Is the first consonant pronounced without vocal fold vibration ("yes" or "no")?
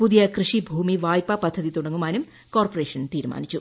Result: yes